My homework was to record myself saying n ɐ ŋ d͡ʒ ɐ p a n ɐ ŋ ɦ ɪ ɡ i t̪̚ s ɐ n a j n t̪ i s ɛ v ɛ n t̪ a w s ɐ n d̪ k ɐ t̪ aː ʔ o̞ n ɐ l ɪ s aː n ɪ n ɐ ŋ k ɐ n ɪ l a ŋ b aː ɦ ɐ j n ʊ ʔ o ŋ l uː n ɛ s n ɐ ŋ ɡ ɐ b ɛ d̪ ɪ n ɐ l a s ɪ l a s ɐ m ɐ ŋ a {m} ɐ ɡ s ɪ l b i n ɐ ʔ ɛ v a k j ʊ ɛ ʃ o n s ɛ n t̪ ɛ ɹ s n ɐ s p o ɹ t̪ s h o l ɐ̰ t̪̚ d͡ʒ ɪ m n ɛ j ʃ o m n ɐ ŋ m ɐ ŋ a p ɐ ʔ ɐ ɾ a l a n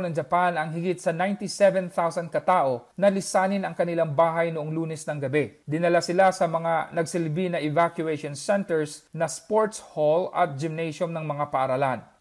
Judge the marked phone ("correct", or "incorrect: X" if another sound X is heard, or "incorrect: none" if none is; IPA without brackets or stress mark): incorrect: n